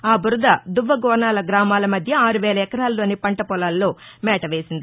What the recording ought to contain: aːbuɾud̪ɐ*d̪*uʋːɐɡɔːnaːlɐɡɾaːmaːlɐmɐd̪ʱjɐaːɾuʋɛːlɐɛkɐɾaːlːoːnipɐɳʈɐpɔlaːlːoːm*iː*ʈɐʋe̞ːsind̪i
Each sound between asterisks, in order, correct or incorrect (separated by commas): correct, incorrect